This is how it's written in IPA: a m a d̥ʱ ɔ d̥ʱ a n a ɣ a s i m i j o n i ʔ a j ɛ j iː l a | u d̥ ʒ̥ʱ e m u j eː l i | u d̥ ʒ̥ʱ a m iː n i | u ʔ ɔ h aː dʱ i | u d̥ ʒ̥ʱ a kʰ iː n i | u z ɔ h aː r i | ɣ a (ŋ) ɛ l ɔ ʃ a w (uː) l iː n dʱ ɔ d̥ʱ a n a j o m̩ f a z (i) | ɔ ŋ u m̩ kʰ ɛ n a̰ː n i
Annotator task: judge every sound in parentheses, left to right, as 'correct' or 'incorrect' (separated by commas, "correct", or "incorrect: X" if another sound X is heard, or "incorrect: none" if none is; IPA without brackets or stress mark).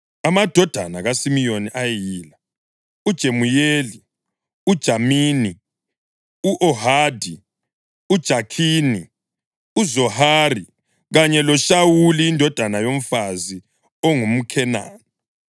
incorrect: ɲ, incorrect: u, correct